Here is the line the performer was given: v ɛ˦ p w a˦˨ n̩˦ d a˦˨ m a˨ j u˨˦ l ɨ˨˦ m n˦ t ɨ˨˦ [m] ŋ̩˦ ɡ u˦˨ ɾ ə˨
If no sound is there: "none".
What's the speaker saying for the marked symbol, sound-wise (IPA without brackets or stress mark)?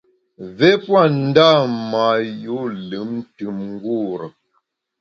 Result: m